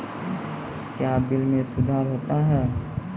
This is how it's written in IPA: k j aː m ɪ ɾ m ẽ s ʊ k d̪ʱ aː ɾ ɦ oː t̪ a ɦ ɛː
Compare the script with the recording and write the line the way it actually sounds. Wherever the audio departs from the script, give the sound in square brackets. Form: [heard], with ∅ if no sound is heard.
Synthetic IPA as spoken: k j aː [b] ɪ [l] m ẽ s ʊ [∅] d̪ʱ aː ɾ ɦ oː t̪ a ɦ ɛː